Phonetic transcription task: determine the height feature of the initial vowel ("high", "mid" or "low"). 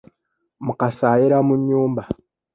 high